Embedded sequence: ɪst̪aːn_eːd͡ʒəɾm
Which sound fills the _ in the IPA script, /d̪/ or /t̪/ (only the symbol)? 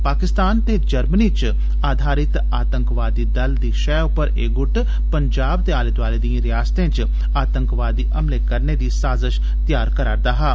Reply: t̪